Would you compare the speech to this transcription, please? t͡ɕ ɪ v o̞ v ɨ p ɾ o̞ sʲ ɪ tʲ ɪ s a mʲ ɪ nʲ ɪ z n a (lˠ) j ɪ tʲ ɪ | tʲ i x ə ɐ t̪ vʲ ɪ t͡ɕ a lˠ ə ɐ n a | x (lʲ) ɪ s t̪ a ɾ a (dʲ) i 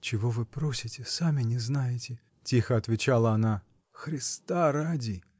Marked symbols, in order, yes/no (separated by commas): no, no, yes